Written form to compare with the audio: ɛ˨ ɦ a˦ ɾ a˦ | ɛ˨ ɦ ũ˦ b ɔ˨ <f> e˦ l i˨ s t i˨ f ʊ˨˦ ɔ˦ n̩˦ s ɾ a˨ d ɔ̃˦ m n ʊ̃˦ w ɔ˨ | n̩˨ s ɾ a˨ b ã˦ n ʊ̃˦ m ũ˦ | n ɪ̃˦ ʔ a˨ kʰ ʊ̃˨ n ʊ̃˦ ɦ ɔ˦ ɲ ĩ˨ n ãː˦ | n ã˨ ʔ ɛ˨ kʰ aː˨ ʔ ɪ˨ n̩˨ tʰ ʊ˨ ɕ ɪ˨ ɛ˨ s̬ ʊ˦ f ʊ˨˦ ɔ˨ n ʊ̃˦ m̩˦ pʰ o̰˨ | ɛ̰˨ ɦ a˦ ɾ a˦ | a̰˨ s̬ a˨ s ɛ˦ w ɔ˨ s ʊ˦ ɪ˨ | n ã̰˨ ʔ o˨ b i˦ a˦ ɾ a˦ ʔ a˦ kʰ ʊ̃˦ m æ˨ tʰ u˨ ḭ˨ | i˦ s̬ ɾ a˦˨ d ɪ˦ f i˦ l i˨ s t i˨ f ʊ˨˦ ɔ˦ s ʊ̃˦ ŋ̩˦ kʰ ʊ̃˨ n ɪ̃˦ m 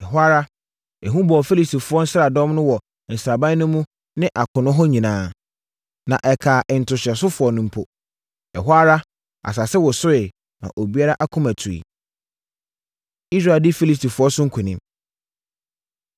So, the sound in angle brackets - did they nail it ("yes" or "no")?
yes